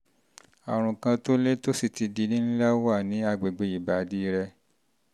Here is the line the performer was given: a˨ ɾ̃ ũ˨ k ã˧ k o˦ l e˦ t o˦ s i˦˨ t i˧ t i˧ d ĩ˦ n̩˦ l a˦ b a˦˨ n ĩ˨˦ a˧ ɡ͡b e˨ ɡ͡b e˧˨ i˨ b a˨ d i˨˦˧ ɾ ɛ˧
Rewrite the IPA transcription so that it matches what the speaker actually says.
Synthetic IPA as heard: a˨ ɾ̃ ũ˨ k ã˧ t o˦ l e˦ t o˦ s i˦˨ t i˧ d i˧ n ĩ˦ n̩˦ l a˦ w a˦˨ n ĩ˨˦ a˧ ɡ͡b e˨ ɡ͡b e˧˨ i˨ b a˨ d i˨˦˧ ɾ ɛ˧